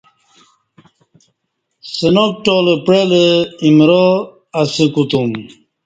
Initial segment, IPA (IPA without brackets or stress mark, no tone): s